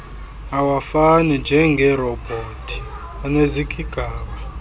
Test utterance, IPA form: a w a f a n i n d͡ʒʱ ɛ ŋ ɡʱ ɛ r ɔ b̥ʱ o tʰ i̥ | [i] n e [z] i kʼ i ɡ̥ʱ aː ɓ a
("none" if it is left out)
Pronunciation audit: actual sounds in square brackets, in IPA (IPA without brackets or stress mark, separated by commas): a, z